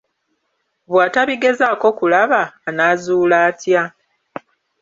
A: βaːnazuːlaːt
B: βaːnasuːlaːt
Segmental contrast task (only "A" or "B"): A